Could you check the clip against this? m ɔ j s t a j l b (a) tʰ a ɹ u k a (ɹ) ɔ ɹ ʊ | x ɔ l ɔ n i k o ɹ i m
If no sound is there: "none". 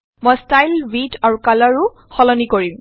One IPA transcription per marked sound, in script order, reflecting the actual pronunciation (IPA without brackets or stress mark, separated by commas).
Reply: i, l